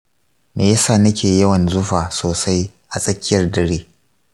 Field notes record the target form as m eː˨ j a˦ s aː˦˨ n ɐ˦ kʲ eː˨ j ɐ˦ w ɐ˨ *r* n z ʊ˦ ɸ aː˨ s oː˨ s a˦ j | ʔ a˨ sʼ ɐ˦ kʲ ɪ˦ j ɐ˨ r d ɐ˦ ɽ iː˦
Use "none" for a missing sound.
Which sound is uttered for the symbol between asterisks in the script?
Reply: none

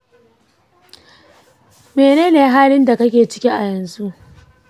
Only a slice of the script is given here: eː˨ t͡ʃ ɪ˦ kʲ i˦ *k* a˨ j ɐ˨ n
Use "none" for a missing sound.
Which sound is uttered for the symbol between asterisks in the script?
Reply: ʔ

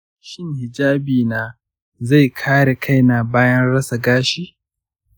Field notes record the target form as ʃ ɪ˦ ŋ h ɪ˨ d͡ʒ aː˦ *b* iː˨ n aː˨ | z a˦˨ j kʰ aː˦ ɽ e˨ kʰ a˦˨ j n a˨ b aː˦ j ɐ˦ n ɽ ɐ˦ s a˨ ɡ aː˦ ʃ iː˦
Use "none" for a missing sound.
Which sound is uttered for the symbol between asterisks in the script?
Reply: b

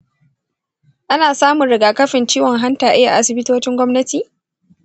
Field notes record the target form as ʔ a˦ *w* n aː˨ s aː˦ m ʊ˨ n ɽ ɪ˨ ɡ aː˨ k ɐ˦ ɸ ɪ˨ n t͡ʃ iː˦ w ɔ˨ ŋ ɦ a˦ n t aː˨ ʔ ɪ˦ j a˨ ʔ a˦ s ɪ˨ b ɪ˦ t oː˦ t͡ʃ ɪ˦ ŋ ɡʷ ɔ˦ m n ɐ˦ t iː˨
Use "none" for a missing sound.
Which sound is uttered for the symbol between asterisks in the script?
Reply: none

